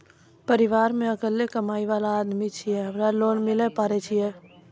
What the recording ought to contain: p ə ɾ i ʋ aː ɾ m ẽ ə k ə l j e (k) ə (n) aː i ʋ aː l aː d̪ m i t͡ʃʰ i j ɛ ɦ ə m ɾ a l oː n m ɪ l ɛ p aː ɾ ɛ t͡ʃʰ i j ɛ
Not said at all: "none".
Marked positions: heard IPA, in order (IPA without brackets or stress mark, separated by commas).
k, m